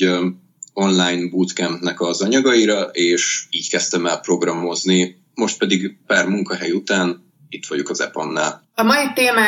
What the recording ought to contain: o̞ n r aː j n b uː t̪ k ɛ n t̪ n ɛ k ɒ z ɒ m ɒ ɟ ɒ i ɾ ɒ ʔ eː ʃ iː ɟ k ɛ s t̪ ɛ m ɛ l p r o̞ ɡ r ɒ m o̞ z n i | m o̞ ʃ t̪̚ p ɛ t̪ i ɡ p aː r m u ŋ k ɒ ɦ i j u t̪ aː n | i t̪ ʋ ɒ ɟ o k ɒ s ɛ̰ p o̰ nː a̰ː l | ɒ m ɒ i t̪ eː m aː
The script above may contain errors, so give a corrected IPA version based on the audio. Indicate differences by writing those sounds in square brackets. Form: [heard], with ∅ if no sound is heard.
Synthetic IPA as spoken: o̞ n [l] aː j n b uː t̪ k ɛ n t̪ n ɛ k ɒ z ɒ [ɲ] ɒ [ɡ] ɒ i ɾ ɒ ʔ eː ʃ iː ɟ k ɛ s t̪ ɛ m ɛ l p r o̞ ɡ r ɒ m o̞ z n i | m o̞ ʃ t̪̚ p ɛ [d̪] i ɡ p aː r m u ŋ k ɒ ɦ [ɛ] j u t̪ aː n | i t̪ ʋ ɒ ɟ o k ɒ [z] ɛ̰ p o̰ nː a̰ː l | ɒ m ɒ i t̪ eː m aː